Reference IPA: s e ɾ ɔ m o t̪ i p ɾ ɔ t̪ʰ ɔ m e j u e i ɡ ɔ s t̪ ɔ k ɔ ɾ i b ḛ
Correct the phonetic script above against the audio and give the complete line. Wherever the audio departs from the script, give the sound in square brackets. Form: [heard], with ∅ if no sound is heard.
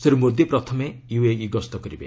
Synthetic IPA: s e ɾ [u] m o [d̪] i p ɾ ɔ t̪ʰ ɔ m e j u e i ɡ ɔ s t̪ ɔ k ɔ ɾ i b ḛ